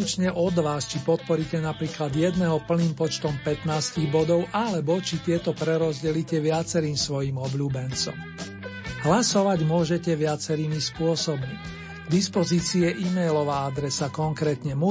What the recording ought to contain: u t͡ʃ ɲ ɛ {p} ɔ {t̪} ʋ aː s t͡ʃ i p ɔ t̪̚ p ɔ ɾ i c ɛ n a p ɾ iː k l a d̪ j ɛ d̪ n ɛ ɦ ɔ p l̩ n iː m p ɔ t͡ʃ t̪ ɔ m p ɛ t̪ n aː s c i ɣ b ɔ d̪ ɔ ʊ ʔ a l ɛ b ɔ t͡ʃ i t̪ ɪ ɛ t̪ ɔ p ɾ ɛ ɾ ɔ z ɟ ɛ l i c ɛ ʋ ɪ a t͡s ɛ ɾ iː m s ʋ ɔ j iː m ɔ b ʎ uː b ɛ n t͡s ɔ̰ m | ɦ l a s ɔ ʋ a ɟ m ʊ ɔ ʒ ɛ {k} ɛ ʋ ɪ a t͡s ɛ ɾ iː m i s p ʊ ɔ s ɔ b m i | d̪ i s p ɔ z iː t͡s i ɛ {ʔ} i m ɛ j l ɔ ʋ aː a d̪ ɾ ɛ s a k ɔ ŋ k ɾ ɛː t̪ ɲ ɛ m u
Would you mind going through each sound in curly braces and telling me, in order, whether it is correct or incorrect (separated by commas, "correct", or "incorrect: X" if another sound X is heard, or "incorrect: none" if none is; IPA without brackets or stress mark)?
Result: incorrect: ʔ, incorrect: d̪, incorrect: c, correct